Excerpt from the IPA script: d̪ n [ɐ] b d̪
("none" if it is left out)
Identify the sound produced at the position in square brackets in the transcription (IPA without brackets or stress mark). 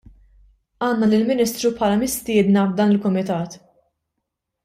ɐ